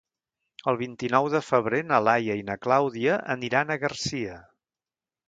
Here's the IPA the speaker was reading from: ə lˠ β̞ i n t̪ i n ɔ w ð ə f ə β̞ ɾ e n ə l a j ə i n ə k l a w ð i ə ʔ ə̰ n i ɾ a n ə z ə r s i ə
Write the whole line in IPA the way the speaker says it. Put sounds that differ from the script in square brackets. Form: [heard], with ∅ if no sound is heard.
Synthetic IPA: ə lˠ β̞ i n t̪ i n ɔ w ð ə f ə β̞ ɾ e n ə l a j ə i n ə k l a w ð i ə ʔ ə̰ n i ɾ a n ə [ɣ] ə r s i ə